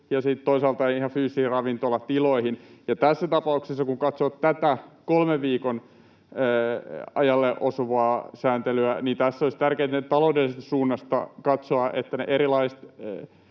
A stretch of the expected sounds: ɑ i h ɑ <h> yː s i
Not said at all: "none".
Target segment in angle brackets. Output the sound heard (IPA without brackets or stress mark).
f